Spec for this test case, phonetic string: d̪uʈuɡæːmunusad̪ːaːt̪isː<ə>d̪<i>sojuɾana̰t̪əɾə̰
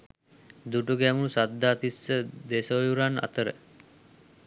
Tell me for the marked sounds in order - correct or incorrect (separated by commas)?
correct, incorrect